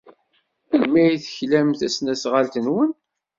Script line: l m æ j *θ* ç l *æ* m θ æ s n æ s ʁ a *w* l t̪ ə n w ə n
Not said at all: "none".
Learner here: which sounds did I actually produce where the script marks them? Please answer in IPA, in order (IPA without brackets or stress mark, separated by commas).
θ, æ, none